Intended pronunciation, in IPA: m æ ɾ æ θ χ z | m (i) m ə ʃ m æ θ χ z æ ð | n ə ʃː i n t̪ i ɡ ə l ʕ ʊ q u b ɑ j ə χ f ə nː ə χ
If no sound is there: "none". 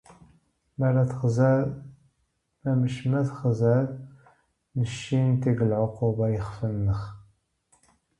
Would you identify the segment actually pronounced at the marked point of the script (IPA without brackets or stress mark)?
æ